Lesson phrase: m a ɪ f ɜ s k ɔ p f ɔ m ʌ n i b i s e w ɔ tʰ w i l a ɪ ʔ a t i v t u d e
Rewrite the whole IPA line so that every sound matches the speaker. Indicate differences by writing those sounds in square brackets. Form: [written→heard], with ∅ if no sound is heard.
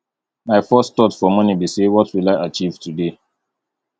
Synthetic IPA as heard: m a ɪ f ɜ s [k→t] ɔ [p→t] f ɔ m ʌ n i b i s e w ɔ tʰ w i l a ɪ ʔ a [t→t͡ʃ] i v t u d e